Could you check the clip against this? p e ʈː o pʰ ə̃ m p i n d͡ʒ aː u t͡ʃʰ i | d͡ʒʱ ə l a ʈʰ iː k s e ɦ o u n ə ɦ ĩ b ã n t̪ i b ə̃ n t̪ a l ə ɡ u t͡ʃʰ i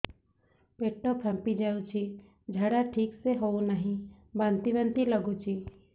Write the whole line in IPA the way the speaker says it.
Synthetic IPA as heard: p e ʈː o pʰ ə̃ m p i d͡ʒ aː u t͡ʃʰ i | d͡ʒʱ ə ɽ a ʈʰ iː k s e ɦ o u n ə ɦ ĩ b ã n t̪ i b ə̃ n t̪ i l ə ɡ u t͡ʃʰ i